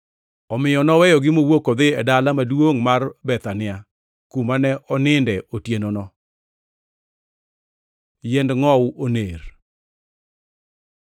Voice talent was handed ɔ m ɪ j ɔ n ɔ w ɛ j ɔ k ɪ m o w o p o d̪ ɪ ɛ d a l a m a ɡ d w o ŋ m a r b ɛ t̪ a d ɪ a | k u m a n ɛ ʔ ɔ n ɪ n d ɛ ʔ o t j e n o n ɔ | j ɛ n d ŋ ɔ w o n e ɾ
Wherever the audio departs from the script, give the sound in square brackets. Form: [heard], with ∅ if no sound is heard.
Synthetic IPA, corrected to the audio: ɔ m ɪ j ɔ n ɔ w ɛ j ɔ [ɡ] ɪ m o w o [k] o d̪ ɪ ɛ d a l a m a [∅] d w o ŋ m a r b ɛ t̪ a [n] ɪ a | k u m a n ɛ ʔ ɔ n ɪ n d ɛ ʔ o t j e n o n ɔ | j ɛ n d ŋ ɔ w o n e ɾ